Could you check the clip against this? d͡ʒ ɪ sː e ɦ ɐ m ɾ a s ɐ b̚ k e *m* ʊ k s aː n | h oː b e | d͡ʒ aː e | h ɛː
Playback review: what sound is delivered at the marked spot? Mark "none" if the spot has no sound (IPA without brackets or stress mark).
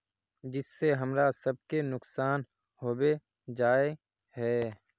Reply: n